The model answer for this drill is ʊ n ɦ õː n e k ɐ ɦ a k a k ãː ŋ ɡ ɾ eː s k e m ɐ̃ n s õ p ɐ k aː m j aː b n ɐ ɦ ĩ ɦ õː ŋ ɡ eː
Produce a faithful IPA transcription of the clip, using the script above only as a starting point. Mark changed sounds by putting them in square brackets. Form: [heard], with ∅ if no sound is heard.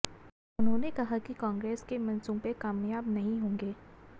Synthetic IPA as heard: ʊ n ɦ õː n e k ɐ ɦ a k [i] k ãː ŋ ɡ ɾ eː s k e m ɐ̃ n s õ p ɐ k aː m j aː b n ɐ ɦ ĩ ɦ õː ŋ ɡ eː